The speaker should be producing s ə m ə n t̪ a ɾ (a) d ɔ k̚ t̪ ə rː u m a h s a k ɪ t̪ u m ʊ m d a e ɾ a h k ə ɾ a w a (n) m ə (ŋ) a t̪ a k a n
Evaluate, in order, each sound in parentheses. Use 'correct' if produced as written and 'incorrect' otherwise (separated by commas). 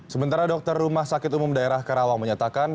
correct, incorrect, incorrect